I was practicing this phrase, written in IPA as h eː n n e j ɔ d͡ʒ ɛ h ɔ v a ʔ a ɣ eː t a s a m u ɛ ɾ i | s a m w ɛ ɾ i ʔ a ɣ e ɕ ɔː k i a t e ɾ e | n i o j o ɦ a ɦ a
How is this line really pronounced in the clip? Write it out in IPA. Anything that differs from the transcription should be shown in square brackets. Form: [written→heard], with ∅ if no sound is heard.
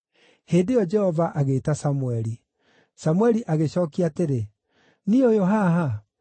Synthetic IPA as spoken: h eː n [n→d] e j ɔ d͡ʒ ɛ h ɔ v a ʔ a ɣ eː t a s a m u ɛ ɾ i | s a m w ɛ ɾ i ʔ a ɣ e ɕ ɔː k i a t e ɾ e | n i o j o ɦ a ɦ a